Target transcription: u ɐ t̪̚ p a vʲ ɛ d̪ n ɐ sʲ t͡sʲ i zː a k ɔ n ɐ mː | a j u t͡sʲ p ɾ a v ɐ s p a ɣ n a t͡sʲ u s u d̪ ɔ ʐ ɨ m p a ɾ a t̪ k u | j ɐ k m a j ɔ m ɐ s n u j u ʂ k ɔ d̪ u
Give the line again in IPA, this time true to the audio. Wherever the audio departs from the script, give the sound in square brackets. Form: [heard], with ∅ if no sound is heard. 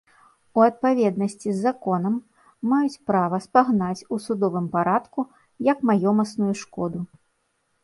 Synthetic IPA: u ɐ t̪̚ p a vʲ ɛ d̪ n ɐ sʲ t͡sʲ i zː a k ɔ n ɐ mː | a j u t͡sʲ p ɾ a v ɐ s p a ɣ n a t͡sʲ u s u d̪ ɔ [v] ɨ m p a ɾ a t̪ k u | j ɐ k m a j ɔ m ɐ s n u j u ʂ k ɔ d̪ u